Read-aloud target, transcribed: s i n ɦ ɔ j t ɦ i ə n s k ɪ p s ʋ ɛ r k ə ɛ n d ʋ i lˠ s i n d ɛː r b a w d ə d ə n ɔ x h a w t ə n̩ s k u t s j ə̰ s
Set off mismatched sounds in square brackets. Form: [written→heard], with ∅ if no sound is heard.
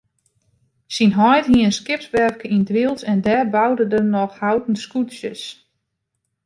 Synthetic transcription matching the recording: s i n ɦ ɔ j t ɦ i ə n s k ɪ p s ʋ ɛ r k ə [ɛ→i] n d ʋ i lˠ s [i→ɛ] n d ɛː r b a w d ə d ə n ɔ x h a w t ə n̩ s k u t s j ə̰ s